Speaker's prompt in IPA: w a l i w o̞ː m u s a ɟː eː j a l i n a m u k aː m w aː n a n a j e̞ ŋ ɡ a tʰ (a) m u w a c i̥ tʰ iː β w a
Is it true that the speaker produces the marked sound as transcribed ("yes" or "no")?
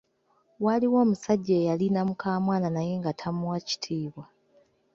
yes